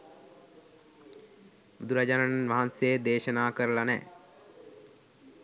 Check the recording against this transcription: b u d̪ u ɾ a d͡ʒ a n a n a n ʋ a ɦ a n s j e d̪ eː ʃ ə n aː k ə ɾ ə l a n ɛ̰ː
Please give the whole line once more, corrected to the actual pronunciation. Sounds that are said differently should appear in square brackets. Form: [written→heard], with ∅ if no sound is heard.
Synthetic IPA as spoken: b u d̪ u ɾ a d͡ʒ a n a n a n ʋ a ɦ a n s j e d̪ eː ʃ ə n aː k ə ɾ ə l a n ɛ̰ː